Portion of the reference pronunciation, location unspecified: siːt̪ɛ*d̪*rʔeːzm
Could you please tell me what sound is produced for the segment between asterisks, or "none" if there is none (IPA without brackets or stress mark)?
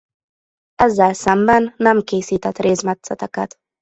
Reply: t̪